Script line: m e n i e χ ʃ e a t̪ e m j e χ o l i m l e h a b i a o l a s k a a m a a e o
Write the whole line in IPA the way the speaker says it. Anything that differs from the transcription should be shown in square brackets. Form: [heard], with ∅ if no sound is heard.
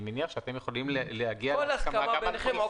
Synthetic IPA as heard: m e n i [a] χ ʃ e a t̪ e m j e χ o l i m l e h a [ɡ] i a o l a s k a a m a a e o